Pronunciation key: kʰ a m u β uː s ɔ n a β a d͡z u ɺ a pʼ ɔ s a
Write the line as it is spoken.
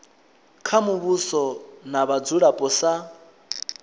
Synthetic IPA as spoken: kʰ a m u β u s ɔ n a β a d͡z u ɺ a pʼ ɔ s a